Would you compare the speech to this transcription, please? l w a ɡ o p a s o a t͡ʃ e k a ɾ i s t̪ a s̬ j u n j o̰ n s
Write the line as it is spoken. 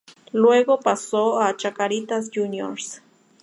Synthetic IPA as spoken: l w e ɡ o p a s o a t͡ʃ a k a ɾ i t̪ a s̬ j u n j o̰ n s